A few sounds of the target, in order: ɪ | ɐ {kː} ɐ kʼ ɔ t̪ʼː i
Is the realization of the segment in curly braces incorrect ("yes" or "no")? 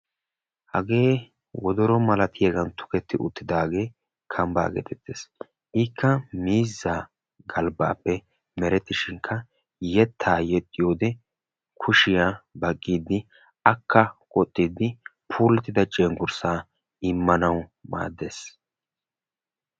no